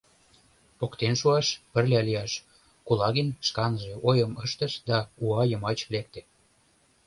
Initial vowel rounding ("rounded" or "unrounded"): rounded